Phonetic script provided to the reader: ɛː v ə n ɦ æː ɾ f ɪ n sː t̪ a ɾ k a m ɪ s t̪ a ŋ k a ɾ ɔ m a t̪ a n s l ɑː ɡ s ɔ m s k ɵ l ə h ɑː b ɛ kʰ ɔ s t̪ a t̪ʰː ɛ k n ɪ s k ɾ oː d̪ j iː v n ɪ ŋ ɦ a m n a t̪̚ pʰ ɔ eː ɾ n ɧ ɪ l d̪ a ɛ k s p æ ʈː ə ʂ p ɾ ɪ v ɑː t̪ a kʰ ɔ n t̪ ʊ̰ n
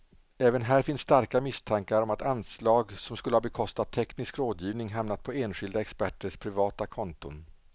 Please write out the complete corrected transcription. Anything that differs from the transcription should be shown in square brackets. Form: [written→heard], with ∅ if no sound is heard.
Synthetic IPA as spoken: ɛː v ə n ɦ æː ɾ f ɪ n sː t̪ a ɾ k a m ɪ s [t̪→t̪ʰ] a ŋ k a ɾ ɔ m a t̪ a n s l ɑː ɡ s ɔ m s k ɵ l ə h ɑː b ɛ kʰ ɔ s t̪ a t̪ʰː ɛ k n ɪ s k ɾ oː d̪ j iː v n ɪ ŋ ɦ a m n a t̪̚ pʰ ɔ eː [ɾ→∅] n ɧ ɪ l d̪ a ɛ k s p æ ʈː ə ʂ [p→pʰ] ɾ ɪ v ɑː t̪ a kʰ ɔ n t̪ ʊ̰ n

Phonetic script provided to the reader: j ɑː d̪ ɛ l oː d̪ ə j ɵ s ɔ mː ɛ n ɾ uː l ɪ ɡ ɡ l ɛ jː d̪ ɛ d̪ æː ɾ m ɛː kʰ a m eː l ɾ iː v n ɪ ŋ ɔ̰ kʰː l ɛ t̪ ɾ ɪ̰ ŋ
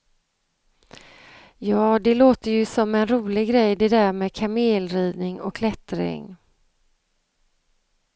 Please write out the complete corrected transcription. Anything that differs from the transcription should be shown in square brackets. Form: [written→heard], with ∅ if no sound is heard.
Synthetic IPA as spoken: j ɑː d̪ ɛ l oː [d̪→t̪] ə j ɵ s ɔ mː ɛ n ɾ uː l ɪ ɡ ɡ [l→ɾ] ɛ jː d̪ ɛ d̪ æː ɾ m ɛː kʰ a m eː l ɾ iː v n ɪ ŋ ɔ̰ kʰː l ɛ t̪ ɾ ɪ̰ ŋ

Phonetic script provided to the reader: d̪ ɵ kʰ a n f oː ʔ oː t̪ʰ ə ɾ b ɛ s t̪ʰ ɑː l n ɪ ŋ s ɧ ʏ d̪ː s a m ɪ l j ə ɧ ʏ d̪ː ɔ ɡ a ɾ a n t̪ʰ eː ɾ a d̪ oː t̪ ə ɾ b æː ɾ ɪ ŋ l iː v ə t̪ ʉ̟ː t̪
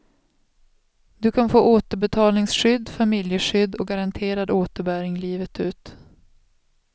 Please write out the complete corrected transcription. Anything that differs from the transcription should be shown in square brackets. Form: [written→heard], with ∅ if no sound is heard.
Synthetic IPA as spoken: d̪ ɵ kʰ a n f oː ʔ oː [t̪ʰ→t̪] ə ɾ b ɛ [s→∅] t̪ʰ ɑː l n ɪ ŋ s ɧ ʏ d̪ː [s→f] a m ɪ l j ə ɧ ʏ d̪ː ɔ ɡ a ɾ a n t̪ʰ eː ɾ a d̪ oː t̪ ə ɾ b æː ɾ ɪ ŋ l iː v ə t̪ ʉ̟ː t̪

